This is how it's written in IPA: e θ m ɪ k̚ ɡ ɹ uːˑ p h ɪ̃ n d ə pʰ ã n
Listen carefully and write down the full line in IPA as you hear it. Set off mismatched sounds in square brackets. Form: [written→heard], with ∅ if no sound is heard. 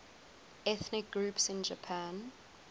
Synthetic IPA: [e→ɛ] θ [m→n] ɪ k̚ ɡ ɹ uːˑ p [h→s] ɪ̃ n [d→d͡ʒ] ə pʰ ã n